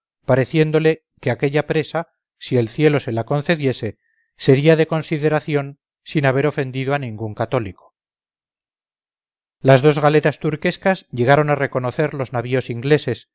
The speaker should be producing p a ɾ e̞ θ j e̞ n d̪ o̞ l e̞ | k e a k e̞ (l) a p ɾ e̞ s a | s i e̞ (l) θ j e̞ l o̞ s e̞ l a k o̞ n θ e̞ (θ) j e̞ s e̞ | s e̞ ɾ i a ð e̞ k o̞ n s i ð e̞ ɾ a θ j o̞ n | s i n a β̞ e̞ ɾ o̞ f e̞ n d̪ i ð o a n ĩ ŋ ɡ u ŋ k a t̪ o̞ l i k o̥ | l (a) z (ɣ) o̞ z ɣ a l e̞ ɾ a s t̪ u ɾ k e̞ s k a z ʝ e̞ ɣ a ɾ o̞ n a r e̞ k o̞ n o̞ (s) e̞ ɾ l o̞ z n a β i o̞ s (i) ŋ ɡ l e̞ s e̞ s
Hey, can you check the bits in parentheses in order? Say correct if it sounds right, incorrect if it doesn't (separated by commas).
incorrect, correct, incorrect, correct, incorrect, incorrect, correct